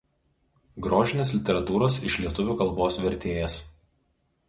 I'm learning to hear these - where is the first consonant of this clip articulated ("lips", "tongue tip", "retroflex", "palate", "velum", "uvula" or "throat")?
velum